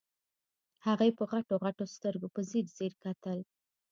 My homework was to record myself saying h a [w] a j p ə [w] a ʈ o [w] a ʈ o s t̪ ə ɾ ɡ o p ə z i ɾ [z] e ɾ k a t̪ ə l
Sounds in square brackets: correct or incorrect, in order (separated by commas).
incorrect, incorrect, incorrect, correct